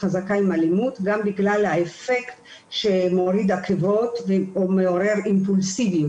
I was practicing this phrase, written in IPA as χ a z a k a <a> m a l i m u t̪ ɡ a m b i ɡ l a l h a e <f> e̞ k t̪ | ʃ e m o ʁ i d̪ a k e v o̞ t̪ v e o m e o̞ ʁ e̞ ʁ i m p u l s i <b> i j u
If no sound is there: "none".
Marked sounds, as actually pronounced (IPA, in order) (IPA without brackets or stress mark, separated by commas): i, f, v